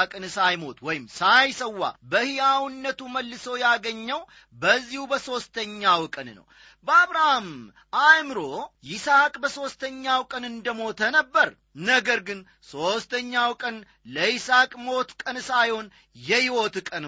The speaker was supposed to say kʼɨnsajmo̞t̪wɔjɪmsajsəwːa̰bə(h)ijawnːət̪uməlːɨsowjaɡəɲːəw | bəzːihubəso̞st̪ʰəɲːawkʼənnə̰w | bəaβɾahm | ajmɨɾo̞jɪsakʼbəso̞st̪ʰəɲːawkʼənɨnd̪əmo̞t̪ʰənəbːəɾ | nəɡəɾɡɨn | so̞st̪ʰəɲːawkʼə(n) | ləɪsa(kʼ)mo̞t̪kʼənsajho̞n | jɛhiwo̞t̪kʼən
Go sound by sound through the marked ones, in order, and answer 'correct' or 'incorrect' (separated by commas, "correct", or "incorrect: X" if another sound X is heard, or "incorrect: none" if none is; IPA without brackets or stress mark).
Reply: correct, correct, correct